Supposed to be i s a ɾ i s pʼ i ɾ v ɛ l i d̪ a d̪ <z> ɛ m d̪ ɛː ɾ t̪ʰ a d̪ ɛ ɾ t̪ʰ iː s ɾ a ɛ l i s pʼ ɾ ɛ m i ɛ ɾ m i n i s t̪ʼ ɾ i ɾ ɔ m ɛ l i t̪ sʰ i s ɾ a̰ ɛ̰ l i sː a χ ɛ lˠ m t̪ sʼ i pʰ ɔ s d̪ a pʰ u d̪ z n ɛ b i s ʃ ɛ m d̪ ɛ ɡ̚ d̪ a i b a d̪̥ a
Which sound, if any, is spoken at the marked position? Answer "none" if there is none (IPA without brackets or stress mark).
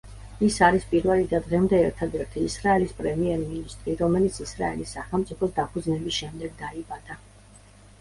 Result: ʁ